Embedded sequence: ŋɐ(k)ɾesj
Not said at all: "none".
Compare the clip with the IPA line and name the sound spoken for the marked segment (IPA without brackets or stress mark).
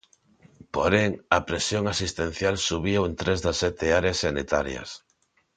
p